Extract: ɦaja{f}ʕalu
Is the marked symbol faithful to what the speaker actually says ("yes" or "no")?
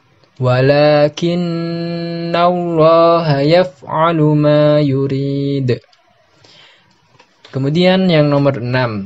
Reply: yes